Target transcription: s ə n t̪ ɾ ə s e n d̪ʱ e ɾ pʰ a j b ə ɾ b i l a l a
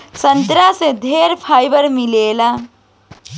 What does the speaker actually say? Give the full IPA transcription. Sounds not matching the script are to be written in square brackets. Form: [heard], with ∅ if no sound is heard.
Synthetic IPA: s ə n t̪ ɾ [a] s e [∅] d̪ʱ e ɾ pʰ a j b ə ɾ [m] i l [e] l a